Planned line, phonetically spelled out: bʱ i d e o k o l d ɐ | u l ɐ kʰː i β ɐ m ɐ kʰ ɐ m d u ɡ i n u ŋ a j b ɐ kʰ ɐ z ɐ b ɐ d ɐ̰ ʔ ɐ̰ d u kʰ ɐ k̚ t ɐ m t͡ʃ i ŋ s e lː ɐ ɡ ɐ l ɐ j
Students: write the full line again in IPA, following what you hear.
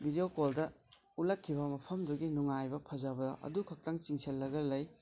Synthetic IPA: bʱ i d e o k o l d ɐ | u l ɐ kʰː i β ɐ m ɐ pʰ ɐ m d u ɡ i n u ŋ a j b ɐ pʰ ɐ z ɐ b ɐ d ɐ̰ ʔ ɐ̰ d u kʰ ɐ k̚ t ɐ ŋ t͡ʃ i ŋ s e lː ɐ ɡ ɐ l ɐ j